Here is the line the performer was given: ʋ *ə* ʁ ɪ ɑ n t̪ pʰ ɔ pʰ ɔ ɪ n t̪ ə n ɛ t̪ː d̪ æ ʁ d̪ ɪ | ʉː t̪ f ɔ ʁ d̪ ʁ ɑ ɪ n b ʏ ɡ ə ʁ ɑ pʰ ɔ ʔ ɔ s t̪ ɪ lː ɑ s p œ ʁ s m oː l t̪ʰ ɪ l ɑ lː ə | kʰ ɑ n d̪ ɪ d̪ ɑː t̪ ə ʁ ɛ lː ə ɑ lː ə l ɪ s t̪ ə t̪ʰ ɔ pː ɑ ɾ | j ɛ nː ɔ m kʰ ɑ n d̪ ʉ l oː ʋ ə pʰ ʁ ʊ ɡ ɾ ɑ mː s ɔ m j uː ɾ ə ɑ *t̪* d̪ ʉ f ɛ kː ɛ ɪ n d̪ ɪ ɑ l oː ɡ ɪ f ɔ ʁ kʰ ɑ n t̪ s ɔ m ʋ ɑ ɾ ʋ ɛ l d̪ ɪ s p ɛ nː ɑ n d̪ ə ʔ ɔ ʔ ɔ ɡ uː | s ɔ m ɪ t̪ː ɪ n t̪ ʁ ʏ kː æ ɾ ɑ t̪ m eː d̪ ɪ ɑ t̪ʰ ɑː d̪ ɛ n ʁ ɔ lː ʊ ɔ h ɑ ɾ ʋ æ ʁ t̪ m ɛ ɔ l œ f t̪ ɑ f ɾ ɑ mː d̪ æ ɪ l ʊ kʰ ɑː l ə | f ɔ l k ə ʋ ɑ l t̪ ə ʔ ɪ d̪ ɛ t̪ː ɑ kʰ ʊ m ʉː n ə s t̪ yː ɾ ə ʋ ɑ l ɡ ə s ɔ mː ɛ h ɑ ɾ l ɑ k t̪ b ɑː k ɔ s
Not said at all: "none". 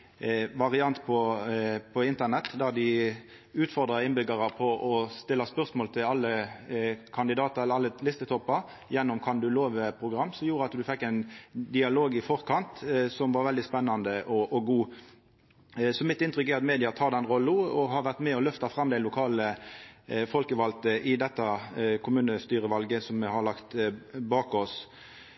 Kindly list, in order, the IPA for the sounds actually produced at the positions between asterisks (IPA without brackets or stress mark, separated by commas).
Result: ɑ, t̪